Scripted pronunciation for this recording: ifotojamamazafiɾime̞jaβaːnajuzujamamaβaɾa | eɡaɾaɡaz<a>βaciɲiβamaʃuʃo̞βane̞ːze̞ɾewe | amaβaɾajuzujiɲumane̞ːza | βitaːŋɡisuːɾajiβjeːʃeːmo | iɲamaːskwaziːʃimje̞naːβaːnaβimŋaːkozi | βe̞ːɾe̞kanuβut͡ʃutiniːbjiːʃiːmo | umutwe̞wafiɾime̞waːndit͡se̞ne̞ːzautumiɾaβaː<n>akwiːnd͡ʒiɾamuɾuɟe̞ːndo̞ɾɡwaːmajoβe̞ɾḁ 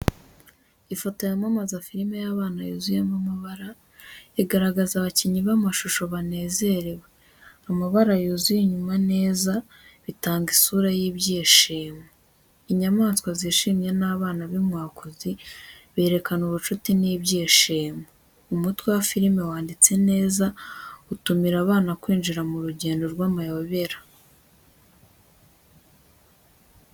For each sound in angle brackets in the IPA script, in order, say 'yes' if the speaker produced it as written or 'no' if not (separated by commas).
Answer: yes, yes